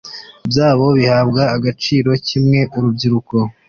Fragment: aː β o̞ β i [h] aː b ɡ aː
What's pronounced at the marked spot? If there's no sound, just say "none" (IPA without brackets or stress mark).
h